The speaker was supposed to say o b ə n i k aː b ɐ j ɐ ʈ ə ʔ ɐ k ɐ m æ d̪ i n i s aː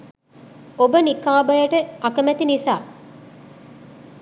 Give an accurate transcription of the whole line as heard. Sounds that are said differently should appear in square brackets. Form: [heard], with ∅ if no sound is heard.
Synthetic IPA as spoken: o b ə n i k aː b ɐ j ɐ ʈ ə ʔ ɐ k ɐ m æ [t̪] i n i s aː